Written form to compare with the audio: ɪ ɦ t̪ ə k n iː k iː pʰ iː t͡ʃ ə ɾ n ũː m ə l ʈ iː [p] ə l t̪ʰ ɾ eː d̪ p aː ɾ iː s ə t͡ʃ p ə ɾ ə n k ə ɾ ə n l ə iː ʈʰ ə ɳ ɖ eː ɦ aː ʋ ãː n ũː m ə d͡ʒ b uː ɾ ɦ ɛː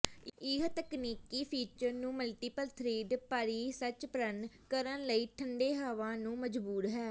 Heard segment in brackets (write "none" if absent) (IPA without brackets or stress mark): p